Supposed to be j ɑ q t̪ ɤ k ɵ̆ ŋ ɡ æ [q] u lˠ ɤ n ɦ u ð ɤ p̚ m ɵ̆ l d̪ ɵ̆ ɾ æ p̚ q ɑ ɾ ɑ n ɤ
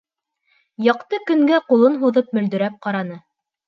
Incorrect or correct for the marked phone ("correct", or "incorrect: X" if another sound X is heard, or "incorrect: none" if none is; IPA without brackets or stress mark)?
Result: correct